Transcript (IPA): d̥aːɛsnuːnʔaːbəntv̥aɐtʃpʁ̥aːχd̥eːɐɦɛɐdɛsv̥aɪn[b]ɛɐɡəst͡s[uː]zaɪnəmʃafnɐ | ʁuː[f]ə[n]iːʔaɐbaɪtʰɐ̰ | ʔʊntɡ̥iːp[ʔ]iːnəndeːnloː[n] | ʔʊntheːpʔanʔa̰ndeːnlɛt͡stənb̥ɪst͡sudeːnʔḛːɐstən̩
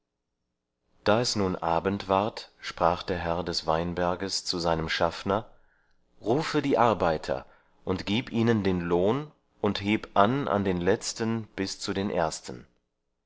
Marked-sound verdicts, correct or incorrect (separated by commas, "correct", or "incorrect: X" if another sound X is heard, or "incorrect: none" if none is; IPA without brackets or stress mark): correct, incorrect: u, correct, incorrect: d, correct, correct